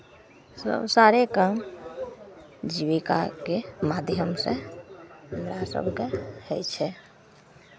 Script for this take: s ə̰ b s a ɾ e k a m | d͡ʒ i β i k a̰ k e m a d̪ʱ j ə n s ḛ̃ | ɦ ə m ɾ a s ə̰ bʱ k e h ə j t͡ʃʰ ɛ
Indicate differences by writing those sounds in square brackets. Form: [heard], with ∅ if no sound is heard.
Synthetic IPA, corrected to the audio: s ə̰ b s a ɾ e k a m | d͡ʒ i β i k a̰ k e m a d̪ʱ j ə [m] s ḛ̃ | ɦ ə m ɾ a s ə̰ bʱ k e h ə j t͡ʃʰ ɛ